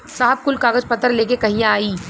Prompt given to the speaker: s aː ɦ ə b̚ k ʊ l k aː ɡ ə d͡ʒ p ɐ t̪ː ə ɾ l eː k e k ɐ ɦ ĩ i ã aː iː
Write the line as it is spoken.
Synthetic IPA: s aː ɦ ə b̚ k ʊ l k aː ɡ ə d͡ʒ p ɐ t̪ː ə ɾ l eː k e k ɐ ɦ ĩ j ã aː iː